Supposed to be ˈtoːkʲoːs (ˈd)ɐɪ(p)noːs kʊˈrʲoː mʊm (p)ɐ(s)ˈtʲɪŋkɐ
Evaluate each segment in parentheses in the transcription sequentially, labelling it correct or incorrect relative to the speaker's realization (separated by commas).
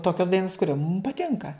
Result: correct, incorrect, correct, incorrect